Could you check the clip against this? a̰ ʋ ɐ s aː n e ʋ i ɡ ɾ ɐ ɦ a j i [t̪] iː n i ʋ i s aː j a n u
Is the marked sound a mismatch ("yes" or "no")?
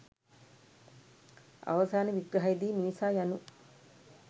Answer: yes